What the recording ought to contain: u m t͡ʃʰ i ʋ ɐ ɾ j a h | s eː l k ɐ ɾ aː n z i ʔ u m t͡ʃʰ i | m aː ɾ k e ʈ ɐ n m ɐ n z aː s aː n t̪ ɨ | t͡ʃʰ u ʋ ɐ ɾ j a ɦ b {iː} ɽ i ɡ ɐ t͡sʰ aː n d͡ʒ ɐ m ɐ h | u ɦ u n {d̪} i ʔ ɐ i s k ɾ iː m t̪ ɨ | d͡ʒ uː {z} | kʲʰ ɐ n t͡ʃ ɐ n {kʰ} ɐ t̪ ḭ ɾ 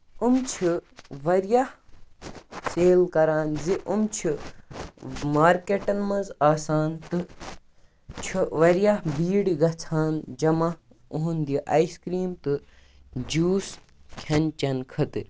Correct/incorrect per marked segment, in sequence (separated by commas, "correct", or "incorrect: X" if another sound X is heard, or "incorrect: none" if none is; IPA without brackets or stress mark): correct, correct, incorrect: s, correct